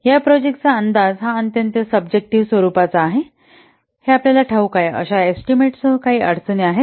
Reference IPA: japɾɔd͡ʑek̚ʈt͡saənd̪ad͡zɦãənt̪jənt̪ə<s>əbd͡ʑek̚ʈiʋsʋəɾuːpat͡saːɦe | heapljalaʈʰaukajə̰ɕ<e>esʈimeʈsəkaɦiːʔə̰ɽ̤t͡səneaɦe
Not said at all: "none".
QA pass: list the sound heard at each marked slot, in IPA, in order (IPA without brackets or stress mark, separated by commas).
s, a